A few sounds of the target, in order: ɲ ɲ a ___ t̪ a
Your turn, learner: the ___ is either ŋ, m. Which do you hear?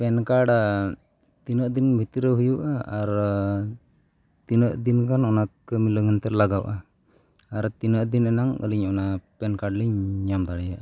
m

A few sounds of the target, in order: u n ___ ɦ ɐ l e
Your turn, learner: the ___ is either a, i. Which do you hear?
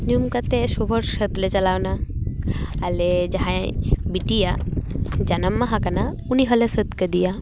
i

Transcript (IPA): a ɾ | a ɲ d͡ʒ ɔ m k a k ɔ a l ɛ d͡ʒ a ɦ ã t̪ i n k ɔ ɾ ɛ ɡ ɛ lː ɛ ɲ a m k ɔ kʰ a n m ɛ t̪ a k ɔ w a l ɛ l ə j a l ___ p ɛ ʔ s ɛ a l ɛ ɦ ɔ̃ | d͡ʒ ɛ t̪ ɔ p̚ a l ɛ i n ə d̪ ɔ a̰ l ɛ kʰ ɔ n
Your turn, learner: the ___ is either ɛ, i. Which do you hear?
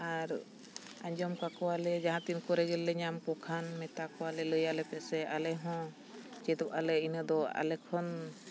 ɛ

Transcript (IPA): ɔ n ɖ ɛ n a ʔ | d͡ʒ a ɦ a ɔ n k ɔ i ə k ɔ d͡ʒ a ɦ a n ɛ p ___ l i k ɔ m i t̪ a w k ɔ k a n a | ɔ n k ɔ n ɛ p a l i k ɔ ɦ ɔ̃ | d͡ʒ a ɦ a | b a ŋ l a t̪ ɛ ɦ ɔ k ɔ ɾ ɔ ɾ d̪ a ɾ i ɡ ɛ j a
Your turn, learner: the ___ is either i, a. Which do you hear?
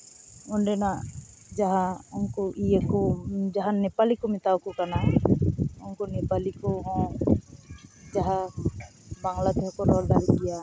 a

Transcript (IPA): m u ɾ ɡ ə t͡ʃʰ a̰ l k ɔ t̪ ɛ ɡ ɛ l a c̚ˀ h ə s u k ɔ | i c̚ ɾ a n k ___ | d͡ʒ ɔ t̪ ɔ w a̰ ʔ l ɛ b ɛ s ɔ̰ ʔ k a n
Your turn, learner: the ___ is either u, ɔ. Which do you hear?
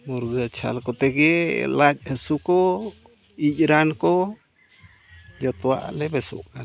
ɔ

